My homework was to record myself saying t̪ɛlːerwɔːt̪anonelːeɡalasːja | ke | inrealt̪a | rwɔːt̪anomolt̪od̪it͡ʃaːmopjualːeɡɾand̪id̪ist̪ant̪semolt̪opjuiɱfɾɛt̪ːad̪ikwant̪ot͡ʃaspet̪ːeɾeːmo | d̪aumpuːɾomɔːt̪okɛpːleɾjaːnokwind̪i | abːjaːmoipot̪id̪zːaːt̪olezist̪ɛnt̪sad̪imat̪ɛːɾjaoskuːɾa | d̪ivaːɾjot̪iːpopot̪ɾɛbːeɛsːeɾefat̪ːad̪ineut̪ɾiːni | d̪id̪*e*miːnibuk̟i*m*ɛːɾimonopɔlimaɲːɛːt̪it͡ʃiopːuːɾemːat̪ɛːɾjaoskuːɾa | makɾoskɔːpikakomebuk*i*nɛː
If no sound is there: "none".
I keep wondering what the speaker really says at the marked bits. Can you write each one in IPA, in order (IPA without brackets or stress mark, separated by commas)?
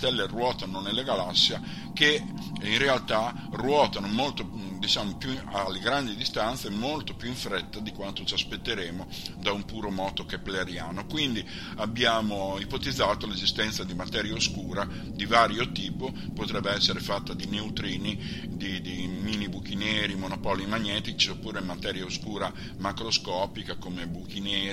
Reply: i, n, i